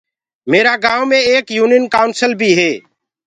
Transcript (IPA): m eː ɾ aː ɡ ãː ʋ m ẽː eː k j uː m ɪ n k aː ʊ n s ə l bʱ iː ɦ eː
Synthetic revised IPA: m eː ɾ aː ɡ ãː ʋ m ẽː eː k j uː n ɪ n k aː ʊ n s ə l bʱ iː ɦ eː